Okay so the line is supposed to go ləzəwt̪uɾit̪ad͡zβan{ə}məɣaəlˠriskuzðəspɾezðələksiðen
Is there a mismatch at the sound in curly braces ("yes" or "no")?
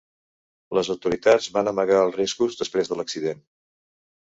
no